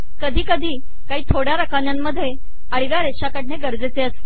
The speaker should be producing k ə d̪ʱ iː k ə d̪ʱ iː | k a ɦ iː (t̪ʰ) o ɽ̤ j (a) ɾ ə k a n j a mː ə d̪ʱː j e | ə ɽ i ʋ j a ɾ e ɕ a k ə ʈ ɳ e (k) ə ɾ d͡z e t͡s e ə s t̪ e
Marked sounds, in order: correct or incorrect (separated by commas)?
correct, correct, incorrect